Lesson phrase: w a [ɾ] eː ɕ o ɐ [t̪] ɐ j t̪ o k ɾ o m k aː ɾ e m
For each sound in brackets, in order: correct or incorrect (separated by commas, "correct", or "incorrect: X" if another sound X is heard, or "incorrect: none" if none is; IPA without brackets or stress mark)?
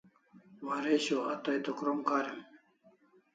correct, correct